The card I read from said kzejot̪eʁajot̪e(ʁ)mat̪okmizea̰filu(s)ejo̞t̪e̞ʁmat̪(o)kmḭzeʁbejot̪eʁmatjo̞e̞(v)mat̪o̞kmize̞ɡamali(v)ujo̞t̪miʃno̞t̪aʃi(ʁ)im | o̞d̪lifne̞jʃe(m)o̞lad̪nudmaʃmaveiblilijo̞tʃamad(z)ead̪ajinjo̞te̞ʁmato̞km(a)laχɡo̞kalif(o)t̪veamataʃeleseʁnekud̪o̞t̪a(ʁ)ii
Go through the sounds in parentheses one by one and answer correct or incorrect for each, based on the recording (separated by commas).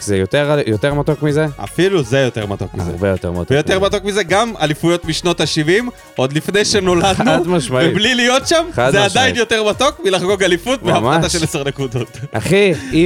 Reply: correct, incorrect, correct, incorrect, incorrect, incorrect, incorrect, correct, incorrect, incorrect, incorrect